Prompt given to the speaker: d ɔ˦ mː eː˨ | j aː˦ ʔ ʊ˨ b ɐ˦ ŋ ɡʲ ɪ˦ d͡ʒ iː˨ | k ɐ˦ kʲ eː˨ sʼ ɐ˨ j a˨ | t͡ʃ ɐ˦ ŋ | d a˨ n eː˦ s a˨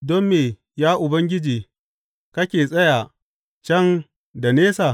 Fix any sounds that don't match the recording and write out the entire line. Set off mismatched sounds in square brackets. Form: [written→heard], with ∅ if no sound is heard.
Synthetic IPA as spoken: d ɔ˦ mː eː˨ | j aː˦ ʔ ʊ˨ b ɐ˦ ŋ ɡʲ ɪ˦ d͡ʒ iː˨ | k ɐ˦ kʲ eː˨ sʼ [ɐ˨→ɐ˦] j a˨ | t͡ʃ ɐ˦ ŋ | d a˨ n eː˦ s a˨

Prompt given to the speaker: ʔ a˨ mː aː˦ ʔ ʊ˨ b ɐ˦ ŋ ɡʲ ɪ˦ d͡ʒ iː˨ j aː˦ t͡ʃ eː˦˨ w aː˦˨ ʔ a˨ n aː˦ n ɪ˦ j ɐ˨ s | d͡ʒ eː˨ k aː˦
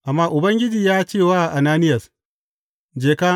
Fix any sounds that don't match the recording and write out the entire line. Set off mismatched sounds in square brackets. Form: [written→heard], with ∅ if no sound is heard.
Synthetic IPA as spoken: ʔ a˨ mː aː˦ ʔ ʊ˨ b ɐ˦ ŋ ɡʲ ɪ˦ d͡ʒ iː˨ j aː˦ t͡ʃ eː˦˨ w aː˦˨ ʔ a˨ n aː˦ n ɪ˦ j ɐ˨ s | d͡ʒ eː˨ k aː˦

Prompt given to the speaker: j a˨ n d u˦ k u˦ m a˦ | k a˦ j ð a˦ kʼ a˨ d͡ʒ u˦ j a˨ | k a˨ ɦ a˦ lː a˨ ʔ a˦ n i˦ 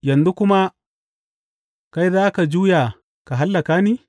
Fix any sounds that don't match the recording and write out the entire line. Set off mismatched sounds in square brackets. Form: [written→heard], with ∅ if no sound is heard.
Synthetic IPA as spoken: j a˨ n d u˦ k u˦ m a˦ | k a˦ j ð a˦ [kʼ→k] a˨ d͡ʒ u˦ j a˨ | k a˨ ɦ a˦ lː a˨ [ʔ→k] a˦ n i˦

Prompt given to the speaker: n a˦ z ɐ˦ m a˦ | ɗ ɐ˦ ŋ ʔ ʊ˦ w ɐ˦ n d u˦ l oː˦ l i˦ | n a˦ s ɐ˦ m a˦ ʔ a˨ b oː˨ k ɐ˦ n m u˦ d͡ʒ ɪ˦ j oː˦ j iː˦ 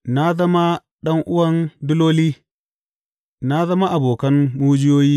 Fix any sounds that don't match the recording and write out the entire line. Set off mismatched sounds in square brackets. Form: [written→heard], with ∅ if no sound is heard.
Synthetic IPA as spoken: n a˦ z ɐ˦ m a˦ | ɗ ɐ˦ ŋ ʔ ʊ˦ w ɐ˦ n d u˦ l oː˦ l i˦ | n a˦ [s→z] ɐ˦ m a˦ ʔ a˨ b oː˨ k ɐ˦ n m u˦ d͡ʒ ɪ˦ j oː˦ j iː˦

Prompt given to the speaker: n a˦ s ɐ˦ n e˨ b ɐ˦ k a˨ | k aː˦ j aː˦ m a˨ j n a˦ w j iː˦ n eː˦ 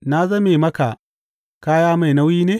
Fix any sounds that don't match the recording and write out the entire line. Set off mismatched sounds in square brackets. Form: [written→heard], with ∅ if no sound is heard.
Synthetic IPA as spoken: n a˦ [s→z] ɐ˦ [n→m] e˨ [b→m] ɐ˦ k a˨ | k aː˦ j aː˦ m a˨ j n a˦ w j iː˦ n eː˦

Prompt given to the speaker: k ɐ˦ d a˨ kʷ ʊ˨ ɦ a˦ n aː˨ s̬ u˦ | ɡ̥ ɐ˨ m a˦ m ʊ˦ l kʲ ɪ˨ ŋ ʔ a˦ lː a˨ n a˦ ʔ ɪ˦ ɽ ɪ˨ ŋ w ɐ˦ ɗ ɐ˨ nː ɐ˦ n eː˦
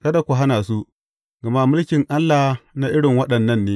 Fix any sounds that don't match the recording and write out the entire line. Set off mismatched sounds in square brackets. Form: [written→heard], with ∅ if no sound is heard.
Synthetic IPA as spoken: k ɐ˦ d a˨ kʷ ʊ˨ ɦ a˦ n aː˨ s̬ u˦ | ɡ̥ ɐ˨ m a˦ m ʊ˦ l kʲ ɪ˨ ŋ ʔ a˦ lː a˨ n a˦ ʔ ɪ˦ ɽ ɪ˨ ŋ w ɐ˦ ɗ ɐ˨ nː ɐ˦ [n→nː] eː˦

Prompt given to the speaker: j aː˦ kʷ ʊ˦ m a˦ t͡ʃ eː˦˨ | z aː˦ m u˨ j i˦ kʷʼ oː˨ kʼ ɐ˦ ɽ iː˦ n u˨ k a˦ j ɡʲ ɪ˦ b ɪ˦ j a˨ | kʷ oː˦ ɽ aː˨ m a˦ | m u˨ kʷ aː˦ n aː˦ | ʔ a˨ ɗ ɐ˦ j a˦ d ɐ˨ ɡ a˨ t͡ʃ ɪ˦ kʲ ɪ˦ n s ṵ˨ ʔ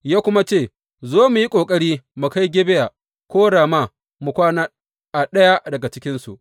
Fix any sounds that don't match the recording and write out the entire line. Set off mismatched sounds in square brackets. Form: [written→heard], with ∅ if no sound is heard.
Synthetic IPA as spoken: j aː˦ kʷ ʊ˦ m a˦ t͡ʃ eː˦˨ | z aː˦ m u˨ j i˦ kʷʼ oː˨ kʼ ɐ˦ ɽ iː˦ [n→m] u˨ k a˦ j ɡʲ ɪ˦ b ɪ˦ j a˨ | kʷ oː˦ ɽ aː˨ m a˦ | m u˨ kʷ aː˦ n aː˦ | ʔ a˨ ɗ ɐ˦ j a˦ d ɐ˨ ɡ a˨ t͡ʃ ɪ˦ kʲ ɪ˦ n s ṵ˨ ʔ

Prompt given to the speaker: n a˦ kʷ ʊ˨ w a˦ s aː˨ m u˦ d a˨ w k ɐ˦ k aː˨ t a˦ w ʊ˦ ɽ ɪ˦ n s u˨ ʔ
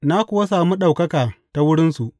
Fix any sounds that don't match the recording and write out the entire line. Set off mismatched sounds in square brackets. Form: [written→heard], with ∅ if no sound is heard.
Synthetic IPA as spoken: n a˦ kʷ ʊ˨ w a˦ s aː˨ m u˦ [d→ɗ] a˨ w k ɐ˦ k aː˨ t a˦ w ʊ˦ ɽ ɪ˦ n s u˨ ʔ

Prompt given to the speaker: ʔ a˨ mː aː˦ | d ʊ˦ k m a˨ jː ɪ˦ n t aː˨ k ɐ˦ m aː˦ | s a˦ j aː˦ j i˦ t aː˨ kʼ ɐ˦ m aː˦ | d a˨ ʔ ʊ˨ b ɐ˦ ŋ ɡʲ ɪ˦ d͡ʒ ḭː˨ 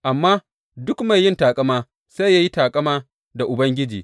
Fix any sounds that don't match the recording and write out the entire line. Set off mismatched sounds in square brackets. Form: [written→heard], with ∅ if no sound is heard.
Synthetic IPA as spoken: ʔ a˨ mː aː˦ | d ʊ˦ k m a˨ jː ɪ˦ n t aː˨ [k→kʼ] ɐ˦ m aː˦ | s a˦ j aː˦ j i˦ t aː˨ kʼ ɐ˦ m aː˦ | d a˨ ʔ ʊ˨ b ɐ˦ ŋ ɡʲ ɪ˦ d͡ʒ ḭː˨

